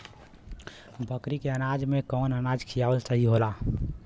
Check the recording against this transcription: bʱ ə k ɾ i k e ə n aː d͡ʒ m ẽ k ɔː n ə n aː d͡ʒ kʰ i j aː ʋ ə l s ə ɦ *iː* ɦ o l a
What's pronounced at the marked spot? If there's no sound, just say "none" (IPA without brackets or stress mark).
i